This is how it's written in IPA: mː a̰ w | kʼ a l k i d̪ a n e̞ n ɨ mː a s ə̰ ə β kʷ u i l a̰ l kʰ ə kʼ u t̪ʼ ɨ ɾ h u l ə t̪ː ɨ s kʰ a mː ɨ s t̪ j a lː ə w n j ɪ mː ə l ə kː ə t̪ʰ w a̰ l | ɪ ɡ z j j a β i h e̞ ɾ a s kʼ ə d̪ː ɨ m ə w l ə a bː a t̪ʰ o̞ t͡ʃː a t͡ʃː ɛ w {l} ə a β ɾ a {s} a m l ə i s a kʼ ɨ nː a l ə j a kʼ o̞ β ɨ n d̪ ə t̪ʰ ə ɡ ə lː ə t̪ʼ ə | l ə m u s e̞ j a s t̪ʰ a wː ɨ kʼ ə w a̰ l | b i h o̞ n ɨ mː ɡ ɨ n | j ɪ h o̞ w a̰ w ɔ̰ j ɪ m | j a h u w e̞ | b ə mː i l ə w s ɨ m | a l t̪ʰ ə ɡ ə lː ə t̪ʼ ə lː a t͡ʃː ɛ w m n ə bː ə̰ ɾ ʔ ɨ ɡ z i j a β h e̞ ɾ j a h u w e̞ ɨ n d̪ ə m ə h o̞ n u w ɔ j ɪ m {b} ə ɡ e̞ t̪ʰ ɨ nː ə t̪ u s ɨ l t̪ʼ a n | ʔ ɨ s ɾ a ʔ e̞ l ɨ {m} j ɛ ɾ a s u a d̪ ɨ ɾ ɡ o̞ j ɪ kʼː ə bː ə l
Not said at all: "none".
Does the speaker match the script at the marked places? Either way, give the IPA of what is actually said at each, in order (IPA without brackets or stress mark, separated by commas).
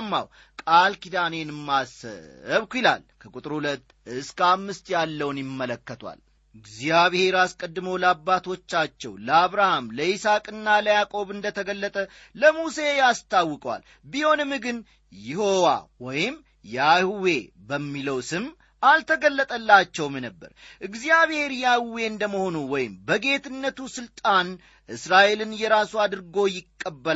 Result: l, h, b, n